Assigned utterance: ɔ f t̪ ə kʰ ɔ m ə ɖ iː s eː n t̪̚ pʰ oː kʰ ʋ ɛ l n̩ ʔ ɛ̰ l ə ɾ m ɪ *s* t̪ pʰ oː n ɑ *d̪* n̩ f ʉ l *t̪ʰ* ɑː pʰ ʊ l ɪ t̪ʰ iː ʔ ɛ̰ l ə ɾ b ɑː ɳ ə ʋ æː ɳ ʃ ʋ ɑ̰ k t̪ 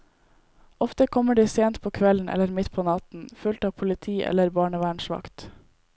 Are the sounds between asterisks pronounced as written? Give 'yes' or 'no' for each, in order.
no, no, no

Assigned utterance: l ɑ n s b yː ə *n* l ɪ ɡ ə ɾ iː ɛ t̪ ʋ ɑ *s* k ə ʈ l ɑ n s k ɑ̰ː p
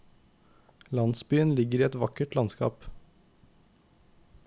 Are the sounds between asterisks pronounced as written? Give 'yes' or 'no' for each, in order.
yes, no

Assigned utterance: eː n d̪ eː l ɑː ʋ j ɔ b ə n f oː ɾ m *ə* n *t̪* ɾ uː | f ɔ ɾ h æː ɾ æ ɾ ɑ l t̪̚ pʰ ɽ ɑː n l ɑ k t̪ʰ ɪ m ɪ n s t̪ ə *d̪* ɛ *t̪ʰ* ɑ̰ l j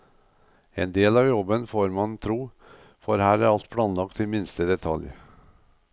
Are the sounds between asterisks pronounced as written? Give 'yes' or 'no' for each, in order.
no, no, yes, yes

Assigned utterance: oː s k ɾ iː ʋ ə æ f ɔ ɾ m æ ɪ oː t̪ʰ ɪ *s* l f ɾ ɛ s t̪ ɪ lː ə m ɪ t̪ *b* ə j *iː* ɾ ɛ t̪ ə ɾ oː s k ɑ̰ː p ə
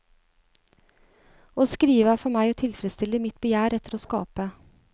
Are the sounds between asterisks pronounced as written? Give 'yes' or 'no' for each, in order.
no, yes, no

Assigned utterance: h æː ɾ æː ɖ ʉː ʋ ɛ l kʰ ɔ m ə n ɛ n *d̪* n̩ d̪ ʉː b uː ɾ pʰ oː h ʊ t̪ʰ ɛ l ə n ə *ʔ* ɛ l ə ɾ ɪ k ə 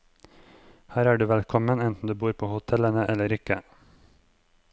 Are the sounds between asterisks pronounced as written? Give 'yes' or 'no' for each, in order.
no, yes

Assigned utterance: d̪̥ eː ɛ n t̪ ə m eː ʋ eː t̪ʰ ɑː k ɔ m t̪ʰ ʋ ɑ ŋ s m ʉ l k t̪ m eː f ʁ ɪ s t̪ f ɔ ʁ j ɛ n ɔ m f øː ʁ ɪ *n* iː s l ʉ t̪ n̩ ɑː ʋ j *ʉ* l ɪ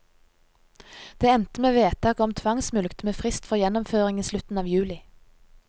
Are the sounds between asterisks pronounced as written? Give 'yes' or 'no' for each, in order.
no, no

